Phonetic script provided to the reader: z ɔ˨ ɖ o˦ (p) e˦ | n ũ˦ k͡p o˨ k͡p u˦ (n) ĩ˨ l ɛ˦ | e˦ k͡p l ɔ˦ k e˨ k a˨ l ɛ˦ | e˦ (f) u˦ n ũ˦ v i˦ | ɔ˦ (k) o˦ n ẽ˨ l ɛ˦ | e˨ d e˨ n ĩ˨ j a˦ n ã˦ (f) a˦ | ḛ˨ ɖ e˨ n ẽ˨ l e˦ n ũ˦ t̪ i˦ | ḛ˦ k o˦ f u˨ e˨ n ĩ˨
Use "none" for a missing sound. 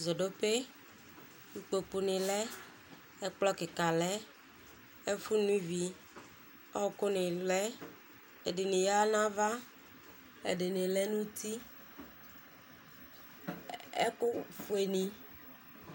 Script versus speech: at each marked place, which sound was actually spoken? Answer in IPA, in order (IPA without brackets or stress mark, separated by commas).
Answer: p, n, f, k, v